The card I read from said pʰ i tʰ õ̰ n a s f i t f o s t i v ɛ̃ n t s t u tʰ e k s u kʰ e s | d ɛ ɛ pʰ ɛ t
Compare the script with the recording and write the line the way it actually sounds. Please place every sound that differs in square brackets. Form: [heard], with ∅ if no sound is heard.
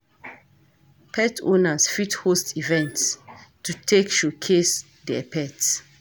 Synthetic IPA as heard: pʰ [ɛ] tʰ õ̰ n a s f i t [h] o s t i v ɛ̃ n t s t u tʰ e k [ʃ] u kʰ e s | d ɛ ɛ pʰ ɛ t